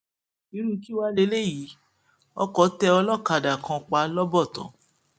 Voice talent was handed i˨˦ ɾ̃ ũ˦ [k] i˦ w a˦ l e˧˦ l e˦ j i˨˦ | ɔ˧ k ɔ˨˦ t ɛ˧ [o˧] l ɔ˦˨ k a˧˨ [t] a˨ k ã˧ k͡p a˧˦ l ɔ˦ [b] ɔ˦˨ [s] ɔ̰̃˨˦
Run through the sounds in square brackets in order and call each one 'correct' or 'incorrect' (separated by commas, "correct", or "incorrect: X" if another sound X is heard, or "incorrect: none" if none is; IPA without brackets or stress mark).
correct, incorrect: ɔ˧, incorrect: d, correct, incorrect: t